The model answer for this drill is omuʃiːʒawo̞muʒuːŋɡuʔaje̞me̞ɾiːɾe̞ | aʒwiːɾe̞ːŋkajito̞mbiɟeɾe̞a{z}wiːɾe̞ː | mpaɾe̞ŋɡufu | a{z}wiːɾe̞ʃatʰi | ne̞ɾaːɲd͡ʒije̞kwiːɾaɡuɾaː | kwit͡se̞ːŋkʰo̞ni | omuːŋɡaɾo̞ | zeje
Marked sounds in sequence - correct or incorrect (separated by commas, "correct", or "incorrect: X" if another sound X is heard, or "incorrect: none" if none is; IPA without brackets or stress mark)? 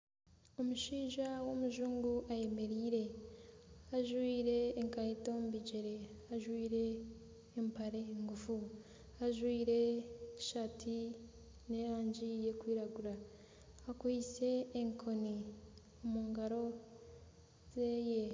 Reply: incorrect: ʒ, incorrect: ʒ